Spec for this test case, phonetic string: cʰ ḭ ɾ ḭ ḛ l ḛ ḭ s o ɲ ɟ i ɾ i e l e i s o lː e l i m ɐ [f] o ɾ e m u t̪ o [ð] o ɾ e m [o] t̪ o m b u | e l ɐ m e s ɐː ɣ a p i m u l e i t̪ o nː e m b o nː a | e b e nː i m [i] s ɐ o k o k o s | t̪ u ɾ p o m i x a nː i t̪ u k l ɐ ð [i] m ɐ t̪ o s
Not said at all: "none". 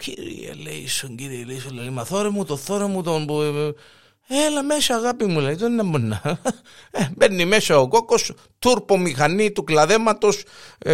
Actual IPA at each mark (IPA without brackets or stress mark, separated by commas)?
θ, θ, u, e, e